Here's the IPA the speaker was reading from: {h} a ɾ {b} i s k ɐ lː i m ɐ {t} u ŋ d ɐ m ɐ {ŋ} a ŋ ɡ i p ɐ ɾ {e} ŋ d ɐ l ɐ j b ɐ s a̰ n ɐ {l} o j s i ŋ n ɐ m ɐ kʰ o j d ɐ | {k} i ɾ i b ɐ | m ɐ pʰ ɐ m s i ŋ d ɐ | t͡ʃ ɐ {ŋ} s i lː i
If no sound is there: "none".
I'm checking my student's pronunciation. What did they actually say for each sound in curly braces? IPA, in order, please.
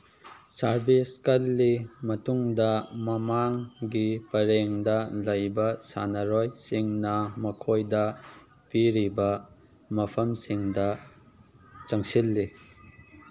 s, b, t, m, e, ɾ, p, ŋ

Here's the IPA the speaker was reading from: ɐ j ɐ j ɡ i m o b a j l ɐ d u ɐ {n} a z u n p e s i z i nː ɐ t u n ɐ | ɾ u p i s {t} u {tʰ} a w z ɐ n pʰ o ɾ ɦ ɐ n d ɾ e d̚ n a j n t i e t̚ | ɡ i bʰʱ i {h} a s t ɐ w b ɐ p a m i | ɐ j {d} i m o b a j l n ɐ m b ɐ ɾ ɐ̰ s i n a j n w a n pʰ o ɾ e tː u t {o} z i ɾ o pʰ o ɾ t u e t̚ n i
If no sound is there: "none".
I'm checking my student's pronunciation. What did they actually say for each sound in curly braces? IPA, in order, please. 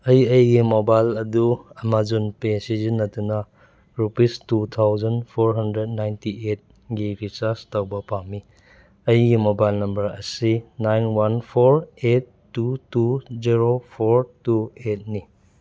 m, t, tʰ, s, ɡ, u

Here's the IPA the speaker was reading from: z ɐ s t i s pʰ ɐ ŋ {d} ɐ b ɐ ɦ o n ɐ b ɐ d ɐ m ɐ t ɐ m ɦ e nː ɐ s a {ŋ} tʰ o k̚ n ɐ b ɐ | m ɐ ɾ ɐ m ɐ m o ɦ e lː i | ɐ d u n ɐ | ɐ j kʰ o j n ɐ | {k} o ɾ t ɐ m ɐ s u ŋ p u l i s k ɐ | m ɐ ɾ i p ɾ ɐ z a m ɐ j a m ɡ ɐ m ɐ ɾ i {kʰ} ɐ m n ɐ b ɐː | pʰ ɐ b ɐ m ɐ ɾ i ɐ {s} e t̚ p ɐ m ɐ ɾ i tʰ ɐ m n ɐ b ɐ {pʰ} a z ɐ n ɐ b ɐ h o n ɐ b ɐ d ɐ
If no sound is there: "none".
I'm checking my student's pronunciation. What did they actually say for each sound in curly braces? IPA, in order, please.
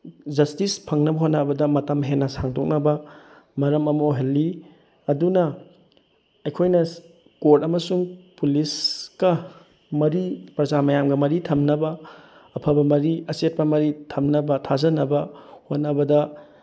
n, ŋ, k, tʰ, s, tʰ

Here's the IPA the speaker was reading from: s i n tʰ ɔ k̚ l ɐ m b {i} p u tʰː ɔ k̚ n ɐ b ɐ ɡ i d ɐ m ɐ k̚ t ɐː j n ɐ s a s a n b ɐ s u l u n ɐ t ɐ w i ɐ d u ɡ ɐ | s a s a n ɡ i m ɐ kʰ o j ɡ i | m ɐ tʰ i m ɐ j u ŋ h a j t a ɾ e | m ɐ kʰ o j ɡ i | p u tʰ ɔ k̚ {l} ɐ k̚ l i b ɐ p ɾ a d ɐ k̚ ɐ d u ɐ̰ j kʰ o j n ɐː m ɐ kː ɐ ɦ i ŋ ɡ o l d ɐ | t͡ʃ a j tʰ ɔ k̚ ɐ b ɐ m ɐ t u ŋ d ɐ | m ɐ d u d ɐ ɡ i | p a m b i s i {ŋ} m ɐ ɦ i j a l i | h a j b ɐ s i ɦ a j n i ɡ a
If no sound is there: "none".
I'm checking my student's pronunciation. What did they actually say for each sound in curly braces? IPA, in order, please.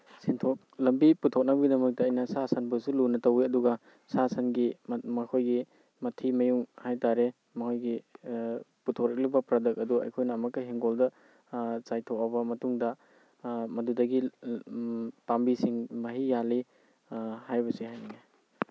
i, ɾ, ŋ

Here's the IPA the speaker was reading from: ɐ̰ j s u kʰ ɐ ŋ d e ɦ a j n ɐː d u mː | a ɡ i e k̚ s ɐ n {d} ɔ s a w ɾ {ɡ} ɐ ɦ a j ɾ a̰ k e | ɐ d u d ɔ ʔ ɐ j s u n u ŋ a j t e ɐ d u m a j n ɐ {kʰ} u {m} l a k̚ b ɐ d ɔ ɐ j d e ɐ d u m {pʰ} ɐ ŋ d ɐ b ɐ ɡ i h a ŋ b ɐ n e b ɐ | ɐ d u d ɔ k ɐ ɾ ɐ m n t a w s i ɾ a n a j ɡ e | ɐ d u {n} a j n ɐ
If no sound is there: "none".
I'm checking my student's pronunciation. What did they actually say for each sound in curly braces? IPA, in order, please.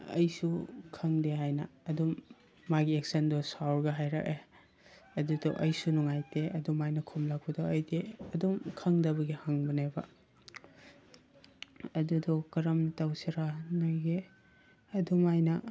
d, ɡ, kʰ, m, kʰ, m

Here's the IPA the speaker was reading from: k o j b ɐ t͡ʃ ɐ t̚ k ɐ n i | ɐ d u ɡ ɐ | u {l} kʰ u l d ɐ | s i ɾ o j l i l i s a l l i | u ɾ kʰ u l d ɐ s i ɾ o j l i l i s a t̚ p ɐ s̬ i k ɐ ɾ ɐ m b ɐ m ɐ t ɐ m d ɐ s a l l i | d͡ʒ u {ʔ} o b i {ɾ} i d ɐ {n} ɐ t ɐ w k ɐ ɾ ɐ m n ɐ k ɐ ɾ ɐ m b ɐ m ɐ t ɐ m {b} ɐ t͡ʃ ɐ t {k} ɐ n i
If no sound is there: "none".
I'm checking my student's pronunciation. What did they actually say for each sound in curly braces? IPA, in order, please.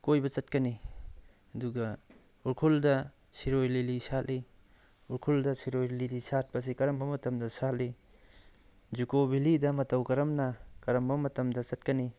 ɾ, k, l, m, d, k

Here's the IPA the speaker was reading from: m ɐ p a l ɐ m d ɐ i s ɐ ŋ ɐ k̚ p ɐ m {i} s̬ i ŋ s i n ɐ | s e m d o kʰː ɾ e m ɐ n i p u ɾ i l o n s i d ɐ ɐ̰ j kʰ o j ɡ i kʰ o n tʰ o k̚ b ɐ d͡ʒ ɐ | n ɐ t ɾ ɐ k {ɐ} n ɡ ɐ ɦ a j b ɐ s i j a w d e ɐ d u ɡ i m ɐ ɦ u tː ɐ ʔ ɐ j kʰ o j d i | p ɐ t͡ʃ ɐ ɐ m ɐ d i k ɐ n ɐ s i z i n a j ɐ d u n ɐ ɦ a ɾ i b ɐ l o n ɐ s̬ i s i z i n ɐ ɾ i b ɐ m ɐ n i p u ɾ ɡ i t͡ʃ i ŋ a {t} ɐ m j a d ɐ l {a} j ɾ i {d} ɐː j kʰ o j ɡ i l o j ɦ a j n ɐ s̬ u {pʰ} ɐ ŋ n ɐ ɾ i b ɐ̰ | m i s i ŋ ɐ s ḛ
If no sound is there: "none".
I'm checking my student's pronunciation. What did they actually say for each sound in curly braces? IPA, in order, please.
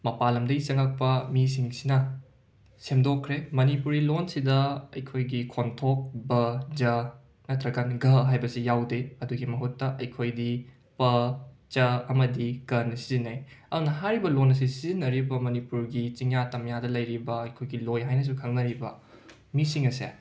i, a, t, ɐ, b, kʰ

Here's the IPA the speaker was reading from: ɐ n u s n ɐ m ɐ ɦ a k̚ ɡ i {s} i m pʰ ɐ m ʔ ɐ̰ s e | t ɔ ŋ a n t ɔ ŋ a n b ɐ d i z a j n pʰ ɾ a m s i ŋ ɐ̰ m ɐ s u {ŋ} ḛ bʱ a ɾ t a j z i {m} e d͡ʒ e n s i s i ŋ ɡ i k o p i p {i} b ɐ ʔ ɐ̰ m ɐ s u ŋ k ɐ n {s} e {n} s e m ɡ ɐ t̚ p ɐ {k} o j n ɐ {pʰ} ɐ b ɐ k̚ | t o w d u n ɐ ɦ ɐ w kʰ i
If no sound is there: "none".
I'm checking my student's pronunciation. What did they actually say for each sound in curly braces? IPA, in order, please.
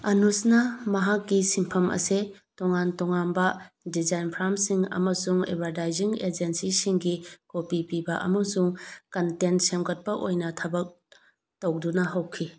s, ŋ, ŋ, i, t, n, ʔ, tʰ

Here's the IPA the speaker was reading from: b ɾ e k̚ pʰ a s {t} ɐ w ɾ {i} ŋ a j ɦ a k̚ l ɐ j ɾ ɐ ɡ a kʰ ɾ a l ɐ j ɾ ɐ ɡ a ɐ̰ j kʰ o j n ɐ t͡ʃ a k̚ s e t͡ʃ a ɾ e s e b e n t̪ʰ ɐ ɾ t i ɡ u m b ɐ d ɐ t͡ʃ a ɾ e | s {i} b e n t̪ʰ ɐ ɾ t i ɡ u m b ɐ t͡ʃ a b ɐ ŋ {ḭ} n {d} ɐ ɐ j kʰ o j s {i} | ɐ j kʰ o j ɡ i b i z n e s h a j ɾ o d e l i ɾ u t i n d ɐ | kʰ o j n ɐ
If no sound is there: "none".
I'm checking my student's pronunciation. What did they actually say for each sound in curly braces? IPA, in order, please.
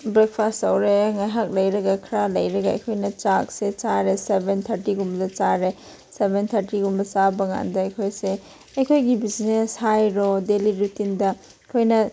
t, e, e, a̰, d, e

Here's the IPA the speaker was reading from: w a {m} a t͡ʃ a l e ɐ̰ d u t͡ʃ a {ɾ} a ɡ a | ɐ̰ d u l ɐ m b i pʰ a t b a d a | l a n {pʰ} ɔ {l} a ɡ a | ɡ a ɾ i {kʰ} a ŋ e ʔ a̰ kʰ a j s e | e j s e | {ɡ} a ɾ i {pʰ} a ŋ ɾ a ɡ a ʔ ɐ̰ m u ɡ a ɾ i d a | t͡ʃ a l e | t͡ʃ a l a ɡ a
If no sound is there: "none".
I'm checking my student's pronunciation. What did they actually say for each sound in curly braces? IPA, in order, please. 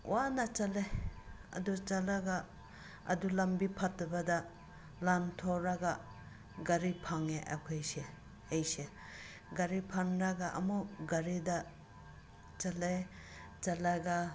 n, l, tʰ, ɾ, pʰ, ɡ, pʰ

